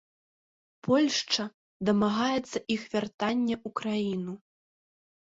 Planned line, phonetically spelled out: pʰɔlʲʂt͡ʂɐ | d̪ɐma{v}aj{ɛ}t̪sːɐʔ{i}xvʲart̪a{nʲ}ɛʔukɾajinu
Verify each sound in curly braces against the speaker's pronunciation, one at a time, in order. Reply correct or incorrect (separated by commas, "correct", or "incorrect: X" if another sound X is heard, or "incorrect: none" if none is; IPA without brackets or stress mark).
incorrect: ɣ, correct, correct, incorrect: nʲː